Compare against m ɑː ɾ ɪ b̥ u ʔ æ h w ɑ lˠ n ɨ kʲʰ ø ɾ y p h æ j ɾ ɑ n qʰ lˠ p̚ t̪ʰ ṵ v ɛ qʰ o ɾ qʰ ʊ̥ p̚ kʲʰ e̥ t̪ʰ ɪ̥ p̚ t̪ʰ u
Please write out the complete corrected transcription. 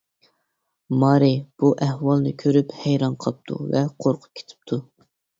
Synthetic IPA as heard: m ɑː ɾ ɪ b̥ u ʔ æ h w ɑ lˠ n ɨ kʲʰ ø ɾ y p h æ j ɾ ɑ n qʰ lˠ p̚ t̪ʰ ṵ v ɛ qʰ o ɾ qʰ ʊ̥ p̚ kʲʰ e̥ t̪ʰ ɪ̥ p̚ t̪ʰ u